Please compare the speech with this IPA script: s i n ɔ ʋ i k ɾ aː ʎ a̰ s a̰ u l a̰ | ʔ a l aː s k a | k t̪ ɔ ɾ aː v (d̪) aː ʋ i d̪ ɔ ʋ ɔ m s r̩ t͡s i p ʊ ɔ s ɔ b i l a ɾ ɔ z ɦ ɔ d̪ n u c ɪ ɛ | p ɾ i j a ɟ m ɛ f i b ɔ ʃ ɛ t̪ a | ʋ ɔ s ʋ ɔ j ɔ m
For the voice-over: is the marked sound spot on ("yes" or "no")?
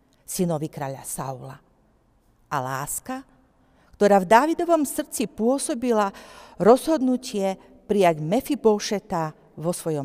yes